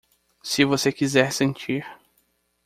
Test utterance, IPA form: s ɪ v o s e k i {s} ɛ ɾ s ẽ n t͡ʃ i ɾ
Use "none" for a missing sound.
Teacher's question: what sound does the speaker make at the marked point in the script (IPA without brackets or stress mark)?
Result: z